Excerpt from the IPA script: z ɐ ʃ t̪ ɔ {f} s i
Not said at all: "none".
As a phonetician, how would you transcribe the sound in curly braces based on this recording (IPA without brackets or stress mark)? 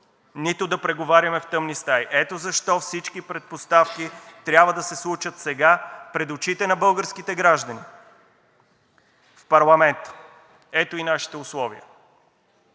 f